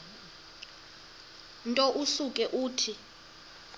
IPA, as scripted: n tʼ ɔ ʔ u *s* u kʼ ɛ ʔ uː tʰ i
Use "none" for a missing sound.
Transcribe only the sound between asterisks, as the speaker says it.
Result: s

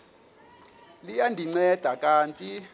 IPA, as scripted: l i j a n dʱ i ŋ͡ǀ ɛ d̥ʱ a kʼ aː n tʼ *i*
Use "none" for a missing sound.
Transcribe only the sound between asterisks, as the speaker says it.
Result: i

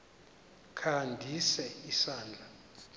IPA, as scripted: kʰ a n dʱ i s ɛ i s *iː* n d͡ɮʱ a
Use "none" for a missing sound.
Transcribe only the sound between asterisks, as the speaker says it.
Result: aː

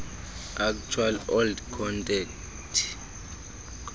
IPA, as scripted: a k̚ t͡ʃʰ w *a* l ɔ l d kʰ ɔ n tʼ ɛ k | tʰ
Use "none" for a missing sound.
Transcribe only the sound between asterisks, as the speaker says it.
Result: a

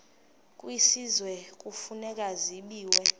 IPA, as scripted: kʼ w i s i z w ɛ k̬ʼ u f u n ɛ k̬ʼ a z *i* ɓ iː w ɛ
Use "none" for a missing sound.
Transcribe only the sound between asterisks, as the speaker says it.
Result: i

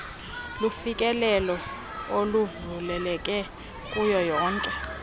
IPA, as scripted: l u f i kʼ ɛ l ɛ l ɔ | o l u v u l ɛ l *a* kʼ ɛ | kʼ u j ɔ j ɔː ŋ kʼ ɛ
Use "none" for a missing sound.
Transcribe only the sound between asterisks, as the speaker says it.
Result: ɛ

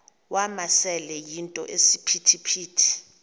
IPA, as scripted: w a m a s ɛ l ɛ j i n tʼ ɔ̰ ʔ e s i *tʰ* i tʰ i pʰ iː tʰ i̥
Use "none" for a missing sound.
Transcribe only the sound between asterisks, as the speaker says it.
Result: pʰ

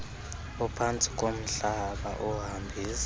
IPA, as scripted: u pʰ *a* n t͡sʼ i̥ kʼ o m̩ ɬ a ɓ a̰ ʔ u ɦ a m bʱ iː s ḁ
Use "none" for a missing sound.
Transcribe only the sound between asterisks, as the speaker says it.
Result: a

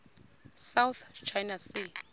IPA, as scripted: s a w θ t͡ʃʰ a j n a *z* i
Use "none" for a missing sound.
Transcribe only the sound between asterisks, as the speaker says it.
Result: s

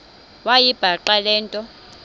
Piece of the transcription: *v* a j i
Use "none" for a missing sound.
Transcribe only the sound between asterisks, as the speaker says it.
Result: w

